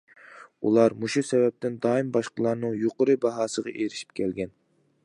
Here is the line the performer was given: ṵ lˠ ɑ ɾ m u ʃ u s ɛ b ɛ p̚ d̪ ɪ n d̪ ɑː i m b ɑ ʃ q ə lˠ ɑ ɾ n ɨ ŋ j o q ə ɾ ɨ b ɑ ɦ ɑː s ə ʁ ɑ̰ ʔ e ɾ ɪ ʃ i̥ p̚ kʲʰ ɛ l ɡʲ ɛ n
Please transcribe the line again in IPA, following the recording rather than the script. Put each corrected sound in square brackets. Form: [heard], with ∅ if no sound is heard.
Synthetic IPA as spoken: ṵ lˠ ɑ ɾ m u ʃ u s ɛ [v] ɛ p̚ [t̪] ɪ n d̪ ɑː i m b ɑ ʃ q ə lˠ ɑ ɾ n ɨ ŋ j o q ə ɾ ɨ b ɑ ɦ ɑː s ə ʁ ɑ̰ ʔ e ɾ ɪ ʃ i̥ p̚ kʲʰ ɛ l ɡʲ ɛ n